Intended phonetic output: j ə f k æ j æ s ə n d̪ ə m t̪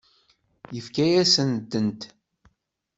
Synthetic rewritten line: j ə f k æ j æ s ə n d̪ ə n t̪